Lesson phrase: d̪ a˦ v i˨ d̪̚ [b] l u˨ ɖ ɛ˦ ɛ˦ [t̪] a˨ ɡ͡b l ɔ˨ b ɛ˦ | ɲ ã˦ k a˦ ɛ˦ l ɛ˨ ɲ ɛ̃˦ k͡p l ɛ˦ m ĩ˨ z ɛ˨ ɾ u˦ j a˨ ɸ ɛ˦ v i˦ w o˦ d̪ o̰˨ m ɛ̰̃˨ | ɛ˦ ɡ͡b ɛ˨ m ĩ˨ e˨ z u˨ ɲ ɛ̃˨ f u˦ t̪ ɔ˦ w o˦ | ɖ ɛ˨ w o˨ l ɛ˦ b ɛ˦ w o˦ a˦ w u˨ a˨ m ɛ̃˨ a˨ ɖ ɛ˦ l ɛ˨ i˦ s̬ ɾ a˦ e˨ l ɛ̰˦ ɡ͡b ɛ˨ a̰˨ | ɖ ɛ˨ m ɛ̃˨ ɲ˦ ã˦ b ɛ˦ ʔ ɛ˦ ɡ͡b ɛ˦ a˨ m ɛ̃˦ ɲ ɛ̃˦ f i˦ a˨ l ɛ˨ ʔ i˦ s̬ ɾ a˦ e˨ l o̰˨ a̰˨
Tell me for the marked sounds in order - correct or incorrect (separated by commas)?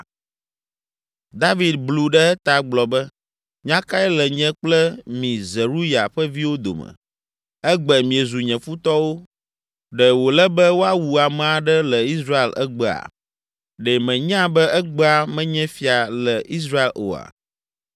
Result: correct, correct